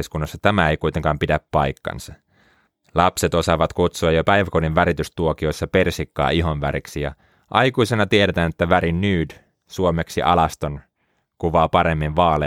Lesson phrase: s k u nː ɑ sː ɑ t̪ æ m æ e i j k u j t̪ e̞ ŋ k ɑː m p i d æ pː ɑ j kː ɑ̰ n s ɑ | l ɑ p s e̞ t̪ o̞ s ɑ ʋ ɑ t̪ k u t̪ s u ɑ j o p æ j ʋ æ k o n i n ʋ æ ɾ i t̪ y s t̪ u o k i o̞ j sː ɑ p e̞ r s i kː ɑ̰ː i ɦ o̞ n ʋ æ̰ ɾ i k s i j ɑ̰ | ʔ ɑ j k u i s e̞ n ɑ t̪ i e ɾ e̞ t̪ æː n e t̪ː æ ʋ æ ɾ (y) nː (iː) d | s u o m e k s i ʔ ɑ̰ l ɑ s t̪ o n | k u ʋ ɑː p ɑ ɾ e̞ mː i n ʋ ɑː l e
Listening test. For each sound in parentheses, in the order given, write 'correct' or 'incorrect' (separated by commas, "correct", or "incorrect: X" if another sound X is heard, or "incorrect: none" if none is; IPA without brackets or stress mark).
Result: incorrect: i, incorrect: yː